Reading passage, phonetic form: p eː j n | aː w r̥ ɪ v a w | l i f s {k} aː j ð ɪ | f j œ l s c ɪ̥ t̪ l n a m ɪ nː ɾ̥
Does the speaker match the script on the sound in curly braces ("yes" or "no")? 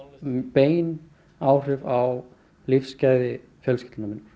no